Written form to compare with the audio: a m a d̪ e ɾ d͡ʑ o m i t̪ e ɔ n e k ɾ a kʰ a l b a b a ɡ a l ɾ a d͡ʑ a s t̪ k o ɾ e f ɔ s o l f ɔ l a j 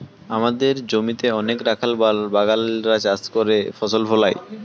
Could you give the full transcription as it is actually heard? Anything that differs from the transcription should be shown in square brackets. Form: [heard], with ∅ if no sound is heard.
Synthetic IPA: a m a d̪ e ɾ d͡ʑ o m i t̪ e ɔ n e k ɾ a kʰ a l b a b a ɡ a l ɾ a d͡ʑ a s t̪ k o ɾ e f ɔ s o l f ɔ l a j